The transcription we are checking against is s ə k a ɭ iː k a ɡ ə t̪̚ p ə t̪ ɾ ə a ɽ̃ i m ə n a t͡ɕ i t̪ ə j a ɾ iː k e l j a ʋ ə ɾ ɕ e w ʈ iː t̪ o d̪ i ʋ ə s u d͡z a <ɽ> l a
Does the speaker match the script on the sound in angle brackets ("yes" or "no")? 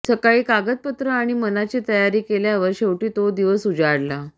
yes